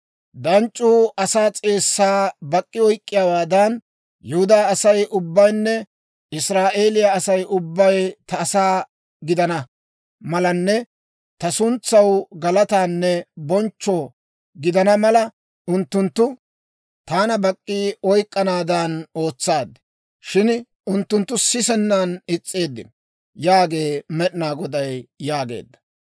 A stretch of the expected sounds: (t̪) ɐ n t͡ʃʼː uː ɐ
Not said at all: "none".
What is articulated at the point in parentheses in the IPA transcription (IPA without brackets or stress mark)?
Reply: d̪